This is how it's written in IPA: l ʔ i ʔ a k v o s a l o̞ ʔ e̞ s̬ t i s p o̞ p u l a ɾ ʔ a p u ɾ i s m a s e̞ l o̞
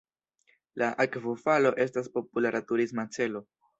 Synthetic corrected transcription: l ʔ a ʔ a k v o f a l o̞ ʔ e̞ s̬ t a s p o̞ p u l a ɾ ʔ a t u ɾ i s m a t͡s e̞ l o̞